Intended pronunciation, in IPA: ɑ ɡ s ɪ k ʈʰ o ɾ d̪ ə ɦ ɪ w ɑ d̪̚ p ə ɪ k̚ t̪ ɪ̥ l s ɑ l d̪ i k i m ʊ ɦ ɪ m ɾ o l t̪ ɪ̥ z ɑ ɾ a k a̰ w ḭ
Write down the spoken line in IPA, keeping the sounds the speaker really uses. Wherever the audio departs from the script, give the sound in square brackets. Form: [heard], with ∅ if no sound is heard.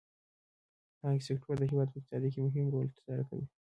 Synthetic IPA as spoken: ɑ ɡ s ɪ k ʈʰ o ɾ d̪ ə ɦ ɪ w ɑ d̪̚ p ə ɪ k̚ t̪ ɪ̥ [∅] s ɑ [∅] d̪ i k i m ʊ ɦ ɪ m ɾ o l t̪ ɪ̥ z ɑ ɾ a k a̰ w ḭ